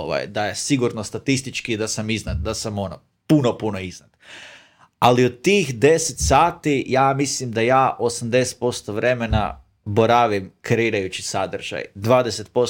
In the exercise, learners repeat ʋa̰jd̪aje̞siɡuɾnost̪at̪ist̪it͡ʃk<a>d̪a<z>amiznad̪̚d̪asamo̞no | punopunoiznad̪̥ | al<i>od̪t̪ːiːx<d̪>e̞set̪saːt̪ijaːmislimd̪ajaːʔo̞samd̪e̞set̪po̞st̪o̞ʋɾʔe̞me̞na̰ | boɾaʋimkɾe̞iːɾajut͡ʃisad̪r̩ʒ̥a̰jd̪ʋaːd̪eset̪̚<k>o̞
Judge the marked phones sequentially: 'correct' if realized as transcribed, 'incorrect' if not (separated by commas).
incorrect, incorrect, correct, correct, incorrect